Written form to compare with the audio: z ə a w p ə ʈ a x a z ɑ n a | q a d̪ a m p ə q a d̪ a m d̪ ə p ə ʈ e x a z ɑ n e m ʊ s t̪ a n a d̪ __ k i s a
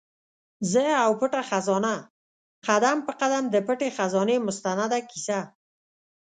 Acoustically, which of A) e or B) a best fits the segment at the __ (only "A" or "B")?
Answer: B